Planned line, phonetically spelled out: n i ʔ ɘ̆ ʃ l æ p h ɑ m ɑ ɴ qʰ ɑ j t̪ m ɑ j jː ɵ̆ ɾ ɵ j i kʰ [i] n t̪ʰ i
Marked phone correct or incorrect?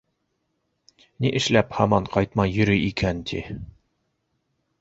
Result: incorrect